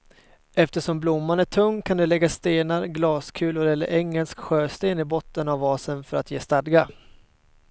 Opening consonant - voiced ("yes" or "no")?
no